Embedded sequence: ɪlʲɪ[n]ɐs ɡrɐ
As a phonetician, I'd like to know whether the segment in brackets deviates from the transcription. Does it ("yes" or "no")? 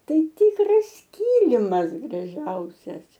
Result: yes